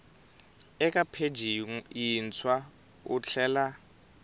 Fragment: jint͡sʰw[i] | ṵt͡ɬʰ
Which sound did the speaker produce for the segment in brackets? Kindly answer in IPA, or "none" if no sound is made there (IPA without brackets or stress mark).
a